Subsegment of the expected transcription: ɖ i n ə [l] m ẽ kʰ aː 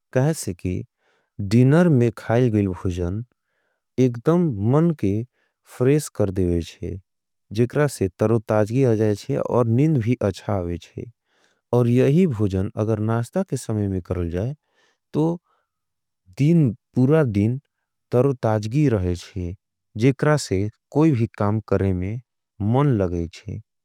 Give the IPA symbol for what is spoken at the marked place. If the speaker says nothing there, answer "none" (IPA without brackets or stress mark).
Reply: ɾ